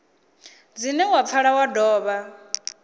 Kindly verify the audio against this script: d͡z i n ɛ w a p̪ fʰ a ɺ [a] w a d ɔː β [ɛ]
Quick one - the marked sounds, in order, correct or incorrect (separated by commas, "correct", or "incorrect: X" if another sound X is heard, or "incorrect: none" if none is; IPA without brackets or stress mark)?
correct, incorrect: a